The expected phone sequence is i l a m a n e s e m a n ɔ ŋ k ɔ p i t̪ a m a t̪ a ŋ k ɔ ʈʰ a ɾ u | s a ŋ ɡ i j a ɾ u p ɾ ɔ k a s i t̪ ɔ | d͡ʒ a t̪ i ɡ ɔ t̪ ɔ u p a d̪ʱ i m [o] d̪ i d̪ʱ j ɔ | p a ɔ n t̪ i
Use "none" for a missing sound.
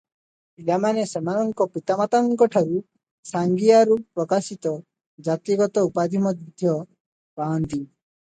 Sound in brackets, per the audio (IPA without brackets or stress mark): ɔ